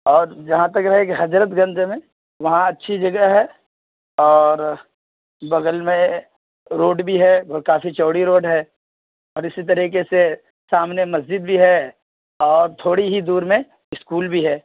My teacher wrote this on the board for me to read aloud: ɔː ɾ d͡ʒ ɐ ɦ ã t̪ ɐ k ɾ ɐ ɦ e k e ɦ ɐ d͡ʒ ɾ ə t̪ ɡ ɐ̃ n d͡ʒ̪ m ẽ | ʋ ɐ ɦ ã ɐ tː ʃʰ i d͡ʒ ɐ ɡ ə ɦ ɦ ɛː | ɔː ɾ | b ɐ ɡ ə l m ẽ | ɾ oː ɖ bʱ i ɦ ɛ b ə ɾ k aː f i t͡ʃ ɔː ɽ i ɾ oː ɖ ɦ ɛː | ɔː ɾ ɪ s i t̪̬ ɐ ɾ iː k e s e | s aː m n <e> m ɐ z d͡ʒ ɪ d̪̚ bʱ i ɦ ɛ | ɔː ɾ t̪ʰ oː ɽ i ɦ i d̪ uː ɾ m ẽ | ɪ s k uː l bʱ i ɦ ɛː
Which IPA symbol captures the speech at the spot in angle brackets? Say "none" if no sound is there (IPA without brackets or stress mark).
e